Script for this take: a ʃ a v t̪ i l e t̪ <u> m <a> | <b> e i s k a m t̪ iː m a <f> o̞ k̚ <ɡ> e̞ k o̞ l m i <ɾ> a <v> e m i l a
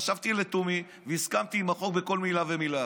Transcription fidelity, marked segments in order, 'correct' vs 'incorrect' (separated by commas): correct, incorrect, incorrect, incorrect, incorrect, incorrect, correct